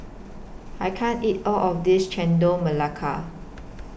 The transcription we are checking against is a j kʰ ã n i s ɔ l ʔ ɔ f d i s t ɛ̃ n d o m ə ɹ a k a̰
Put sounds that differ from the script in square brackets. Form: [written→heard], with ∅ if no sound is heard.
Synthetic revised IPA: a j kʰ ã n i [s→t] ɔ l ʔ ɔ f d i s [t→t͡ʃ] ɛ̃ n d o m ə [ɹ→l] a [k→kʰ] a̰